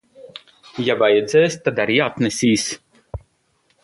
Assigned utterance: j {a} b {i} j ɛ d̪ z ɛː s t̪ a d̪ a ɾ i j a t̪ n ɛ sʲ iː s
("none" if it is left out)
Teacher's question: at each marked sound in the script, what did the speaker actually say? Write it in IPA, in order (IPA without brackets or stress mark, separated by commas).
a, a